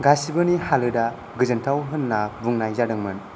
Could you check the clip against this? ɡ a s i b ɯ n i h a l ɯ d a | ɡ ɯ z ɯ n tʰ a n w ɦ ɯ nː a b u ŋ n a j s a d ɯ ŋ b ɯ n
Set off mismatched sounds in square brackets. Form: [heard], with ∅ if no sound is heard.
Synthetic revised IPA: ɡ a s i b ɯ n i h a l ɯ d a | ɡ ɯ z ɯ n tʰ a [∅] w ɦ ɯ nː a b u ŋ n a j [z] a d ɯ ŋ [m] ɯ n

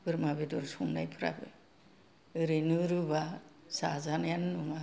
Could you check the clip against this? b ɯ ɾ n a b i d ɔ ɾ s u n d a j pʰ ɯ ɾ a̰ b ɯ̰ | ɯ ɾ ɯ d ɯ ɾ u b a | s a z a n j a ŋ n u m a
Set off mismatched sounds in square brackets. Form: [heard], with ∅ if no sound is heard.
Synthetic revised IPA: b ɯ ɾ [m] a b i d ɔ ɾ s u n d a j pʰ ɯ ɾ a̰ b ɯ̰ | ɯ ɾ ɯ [n] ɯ ɾ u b a | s a z a n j a [n] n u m a

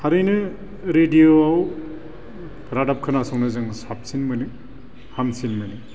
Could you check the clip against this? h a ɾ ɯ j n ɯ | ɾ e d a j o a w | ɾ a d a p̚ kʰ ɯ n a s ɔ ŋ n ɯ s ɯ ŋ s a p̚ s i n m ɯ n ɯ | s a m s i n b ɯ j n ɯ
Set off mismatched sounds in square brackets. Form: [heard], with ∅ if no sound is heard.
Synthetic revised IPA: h a ɾ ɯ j n ɯ | ɾ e d [i] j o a w | ɾ a d a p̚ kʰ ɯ n a s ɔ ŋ n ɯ [z] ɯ ŋ s a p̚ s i n m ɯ n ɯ | [h] a m s i n [m] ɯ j n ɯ

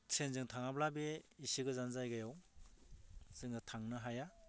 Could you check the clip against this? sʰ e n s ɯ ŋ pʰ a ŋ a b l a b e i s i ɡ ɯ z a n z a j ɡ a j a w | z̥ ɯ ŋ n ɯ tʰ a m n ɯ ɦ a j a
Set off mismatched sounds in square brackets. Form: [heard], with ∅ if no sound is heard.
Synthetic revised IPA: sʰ e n [z] ɯ ŋ [tʰ] a ŋ a b l a b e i s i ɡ ɯ z a n z a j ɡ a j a w | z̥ ɯ ŋ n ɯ tʰ a [ŋ] n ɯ ɦ a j a

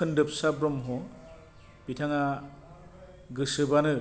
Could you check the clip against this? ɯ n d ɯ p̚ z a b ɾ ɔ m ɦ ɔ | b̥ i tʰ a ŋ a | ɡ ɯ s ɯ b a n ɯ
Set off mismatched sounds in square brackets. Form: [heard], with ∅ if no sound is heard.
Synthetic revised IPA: ɯ n d ɯ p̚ [s] a b ɾ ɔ m ɦ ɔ | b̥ i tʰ a ŋ a | ɡ ɯ s ɯ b a n ɯ

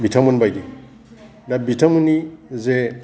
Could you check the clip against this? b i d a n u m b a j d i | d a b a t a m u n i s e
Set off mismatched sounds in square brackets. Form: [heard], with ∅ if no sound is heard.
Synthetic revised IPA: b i [t] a [m] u [n] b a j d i | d a b [i] t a m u n i [z] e

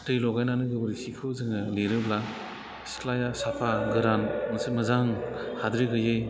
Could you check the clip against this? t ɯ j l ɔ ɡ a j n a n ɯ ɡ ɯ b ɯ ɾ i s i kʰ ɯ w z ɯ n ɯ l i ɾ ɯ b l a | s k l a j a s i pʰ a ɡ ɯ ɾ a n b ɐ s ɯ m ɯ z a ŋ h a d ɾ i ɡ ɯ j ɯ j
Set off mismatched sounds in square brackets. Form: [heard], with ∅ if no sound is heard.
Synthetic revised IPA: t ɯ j l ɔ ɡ a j n a n ɯ ɡ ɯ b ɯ ɾ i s i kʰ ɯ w z ɯ [ŋ] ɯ l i ɾ ɯ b l a | s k l a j a s [a] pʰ a ɡ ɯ ɾ a n [m] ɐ s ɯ m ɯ z a ŋ h a d ɾ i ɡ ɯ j ɯ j

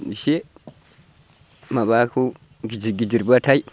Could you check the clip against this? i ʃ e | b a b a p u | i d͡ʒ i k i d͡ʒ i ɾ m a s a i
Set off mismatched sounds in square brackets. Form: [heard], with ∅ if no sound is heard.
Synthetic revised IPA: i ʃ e | [m] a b a [k] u | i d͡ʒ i [ɡ] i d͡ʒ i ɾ [b] a [t] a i

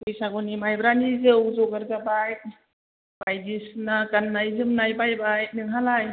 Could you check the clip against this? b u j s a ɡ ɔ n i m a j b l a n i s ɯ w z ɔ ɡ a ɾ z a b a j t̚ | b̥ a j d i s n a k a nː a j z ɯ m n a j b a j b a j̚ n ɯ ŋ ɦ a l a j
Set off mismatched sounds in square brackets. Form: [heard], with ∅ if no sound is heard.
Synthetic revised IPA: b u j s a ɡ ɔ n i m a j b [ɾ] a n i [z] ɯ w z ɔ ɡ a ɾ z a b a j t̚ | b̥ a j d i s n a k a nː a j z ɯ m n a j b a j b a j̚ n ɯ ŋ ɦ a l a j

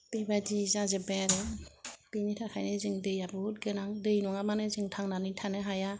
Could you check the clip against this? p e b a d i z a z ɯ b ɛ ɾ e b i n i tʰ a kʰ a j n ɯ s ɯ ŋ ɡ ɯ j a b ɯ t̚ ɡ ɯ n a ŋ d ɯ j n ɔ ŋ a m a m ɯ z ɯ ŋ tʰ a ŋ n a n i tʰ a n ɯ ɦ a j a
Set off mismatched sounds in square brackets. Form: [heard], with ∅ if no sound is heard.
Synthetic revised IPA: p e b a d i z a z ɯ b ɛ ɾ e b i n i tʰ a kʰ a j n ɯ [z] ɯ ŋ [d] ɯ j a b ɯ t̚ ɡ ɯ n a ŋ d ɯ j n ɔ ŋ a m a [n] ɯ z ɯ ŋ tʰ a ŋ n a n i tʰ a n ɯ ɦ a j a

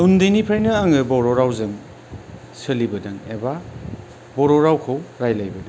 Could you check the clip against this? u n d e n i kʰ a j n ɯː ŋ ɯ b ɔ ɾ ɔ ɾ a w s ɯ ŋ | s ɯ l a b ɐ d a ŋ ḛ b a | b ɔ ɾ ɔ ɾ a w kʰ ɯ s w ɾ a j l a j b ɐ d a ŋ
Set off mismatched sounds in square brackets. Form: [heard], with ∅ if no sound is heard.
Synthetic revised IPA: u n d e n i [pʰ] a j n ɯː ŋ ɯ b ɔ ɾ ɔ ɾ a w [z] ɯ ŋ | s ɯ l [i] b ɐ d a ŋ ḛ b a | b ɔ ɾ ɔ ɾ a w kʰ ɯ [∅] w ɾ a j l a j b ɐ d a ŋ

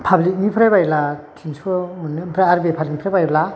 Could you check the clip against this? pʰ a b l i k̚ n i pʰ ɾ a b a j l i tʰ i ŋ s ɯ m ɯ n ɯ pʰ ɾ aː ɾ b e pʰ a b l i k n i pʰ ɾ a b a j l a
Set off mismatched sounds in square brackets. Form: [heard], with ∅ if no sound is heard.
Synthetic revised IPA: pʰ a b l i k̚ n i pʰ ɾ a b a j l [a] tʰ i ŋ s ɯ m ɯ n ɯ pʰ ɾ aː ɾ b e pʰ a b l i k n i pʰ ɾ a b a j l a

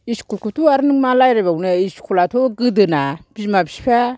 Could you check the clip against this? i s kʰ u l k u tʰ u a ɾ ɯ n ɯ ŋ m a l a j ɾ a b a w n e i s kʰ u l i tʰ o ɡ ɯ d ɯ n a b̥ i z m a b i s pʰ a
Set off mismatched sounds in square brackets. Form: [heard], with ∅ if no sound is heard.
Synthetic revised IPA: i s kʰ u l k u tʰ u a ɾ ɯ n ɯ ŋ m a l a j ɾ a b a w n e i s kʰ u l [a] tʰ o ɡ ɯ d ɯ n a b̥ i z m a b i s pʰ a

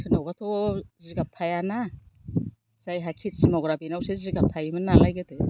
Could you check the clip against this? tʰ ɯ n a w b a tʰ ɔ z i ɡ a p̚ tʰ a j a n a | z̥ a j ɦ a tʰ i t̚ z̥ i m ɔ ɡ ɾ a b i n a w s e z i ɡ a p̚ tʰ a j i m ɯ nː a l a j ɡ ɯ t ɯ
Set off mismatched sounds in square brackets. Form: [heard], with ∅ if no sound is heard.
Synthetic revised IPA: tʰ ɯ n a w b a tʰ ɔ z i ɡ a p̚ tʰ a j a n a | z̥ a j ɦ a [kʰ] i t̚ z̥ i m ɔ ɡ ɾ a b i n a w s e z i ɡ a p̚ tʰ a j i m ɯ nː a l a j ɡ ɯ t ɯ

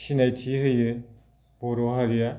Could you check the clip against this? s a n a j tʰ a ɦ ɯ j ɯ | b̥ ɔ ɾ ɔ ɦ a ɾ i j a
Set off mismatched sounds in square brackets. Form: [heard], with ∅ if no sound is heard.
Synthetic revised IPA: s [i] n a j tʰ [i] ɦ ɯ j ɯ | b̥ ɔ ɾ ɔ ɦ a ɾ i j a

